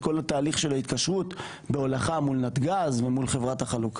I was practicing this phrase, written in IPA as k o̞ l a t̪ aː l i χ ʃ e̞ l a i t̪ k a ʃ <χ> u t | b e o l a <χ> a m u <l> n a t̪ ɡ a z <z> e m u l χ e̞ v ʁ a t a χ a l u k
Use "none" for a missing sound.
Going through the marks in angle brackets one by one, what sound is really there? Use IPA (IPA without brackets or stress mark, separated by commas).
ʁ, χ, l, v